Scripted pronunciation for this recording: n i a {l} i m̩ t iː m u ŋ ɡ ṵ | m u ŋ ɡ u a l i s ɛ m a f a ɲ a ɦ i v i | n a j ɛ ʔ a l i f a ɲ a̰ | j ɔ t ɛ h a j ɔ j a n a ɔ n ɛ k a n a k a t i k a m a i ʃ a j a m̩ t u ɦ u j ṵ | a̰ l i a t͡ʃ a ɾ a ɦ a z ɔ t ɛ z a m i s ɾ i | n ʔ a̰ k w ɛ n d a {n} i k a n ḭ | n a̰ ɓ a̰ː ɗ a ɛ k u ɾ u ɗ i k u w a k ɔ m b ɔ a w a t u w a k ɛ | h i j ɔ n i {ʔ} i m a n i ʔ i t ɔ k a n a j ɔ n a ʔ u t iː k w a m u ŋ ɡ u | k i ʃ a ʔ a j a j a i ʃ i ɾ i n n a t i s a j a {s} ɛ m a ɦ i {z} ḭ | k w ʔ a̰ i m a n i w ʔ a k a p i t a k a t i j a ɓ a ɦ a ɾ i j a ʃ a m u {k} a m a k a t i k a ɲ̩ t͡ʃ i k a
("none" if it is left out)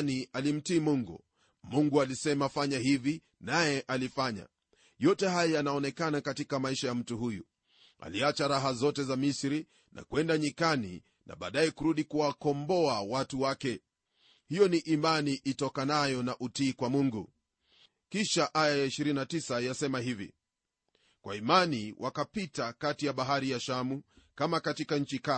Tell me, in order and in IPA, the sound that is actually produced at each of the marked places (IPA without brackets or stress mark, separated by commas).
l, ɲ, ʔ, s, v, k